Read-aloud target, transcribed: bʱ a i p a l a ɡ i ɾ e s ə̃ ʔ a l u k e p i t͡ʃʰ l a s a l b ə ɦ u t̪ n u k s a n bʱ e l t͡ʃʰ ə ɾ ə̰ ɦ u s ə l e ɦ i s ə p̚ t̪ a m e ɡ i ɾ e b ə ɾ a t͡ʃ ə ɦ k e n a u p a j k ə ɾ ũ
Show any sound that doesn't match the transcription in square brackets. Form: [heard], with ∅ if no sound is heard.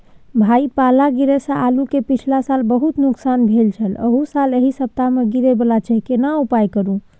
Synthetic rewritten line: bʱ a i p a l a ɡ i ɾ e s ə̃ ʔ a l u k e p i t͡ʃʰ l a s a l b ə ɦ u t̪ n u k s a n bʱ e l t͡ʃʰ ə [l] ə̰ ɦ u s [a] l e ɦ i s ə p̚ t̪ a m e ɡ i ɾ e b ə [l] a t͡ʃ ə ɦ k e n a u p a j k ə ɾ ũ